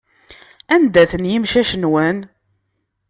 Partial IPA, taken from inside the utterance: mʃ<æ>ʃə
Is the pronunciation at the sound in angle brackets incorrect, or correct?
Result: correct